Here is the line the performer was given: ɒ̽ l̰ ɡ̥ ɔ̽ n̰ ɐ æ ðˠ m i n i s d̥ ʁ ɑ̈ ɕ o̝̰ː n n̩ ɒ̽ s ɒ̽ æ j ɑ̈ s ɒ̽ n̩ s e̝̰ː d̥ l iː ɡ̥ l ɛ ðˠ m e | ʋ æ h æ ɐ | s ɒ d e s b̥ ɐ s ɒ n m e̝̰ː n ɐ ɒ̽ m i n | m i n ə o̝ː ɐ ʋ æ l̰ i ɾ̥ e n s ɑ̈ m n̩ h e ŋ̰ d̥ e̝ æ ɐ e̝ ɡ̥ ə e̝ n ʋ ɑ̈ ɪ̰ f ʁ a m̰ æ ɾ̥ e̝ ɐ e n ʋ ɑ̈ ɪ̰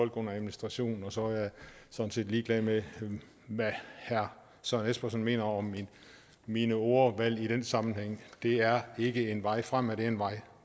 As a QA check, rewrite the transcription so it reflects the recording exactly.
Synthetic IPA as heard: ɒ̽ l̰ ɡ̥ ɔ̽ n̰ ɐ æ ðˠ m i n i s d̥ ʁ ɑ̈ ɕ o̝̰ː n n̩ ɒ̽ s ɒ̽ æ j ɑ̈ s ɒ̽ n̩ s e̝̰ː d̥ l iː ɡ̥ l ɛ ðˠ m e | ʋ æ h æ ɐ | s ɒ n e s b̥ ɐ s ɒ n m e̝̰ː n ɐ ɒ̽ m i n | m i n ə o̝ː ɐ ʋ æ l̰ i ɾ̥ e n s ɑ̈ m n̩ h e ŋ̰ d̥ e̝ æ ɐ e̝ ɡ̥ ə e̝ n ʋ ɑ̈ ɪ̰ f ʁ a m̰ æ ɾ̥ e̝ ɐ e n ʋ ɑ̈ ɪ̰